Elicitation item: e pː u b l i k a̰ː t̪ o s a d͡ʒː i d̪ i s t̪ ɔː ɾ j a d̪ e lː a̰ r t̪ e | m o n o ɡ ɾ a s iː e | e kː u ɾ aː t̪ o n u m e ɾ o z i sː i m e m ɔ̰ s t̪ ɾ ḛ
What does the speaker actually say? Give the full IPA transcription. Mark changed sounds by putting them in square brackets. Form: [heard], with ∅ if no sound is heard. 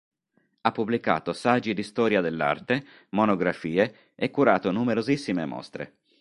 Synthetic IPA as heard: [a] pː u b l i k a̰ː t̪ o s a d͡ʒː i d̪ i s t̪ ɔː ɾ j a d̪ e lː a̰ r t̪ e | m o n o ɡ ɾ a [f] iː e | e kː u ɾ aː t̪ o n u m e ɾ o z i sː i m e m ɔ̰ s t̪ ɾ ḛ